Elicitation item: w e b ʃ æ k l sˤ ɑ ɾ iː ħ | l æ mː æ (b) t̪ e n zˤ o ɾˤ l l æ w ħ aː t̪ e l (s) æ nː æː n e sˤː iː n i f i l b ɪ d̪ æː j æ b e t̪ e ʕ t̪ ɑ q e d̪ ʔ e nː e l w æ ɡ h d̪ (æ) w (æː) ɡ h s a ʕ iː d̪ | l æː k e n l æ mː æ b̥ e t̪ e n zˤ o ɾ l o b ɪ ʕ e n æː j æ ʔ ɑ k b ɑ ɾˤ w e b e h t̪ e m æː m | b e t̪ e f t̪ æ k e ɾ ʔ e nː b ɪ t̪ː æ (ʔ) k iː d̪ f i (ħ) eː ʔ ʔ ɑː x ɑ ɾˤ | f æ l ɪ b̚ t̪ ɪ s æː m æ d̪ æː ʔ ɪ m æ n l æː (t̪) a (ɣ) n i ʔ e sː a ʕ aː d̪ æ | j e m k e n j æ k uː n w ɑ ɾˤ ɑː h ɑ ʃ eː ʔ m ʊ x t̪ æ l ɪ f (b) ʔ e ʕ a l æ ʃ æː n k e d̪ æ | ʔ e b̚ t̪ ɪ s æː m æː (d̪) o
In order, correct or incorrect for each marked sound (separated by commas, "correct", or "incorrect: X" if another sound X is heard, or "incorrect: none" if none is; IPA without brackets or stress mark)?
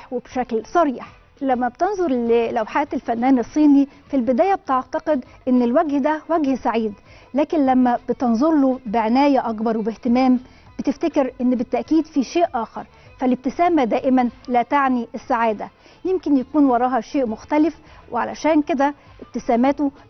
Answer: correct, incorrect: f, correct, incorrect: æ, correct, incorrect: ʃ, correct, incorrect: ʕ, incorrect: w, incorrect: t̪